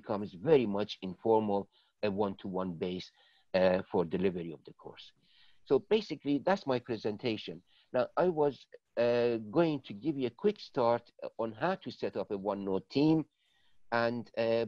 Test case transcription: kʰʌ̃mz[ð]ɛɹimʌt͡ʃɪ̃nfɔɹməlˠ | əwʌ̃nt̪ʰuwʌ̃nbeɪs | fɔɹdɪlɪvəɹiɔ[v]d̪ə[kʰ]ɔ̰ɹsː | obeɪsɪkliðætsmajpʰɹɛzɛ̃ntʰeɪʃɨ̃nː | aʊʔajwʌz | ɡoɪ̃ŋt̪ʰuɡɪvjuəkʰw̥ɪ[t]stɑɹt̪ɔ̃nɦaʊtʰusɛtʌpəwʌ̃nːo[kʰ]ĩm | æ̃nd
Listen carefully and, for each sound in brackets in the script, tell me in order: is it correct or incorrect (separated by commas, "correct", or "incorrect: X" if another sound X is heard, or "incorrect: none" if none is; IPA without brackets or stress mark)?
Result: incorrect: v, correct, correct, incorrect: k, incorrect: tʰ